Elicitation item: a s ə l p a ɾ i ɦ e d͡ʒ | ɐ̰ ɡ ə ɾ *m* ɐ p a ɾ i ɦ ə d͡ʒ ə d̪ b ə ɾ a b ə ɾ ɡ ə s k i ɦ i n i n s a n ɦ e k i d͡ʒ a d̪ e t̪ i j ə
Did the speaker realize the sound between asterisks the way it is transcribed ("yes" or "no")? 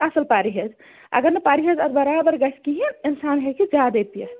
no